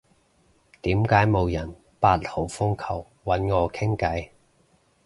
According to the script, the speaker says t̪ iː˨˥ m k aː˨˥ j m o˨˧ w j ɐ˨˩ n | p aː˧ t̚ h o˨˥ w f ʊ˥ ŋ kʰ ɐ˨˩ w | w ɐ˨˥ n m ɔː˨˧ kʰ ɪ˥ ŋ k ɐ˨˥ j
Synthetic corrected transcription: t̪ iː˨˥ m k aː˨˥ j m o˨˧ w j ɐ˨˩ n | p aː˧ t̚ h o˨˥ w f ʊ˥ ŋ kʰ ɐ˨˩ w | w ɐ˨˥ n ŋ ɔː˨˧ kʰ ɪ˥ ŋ k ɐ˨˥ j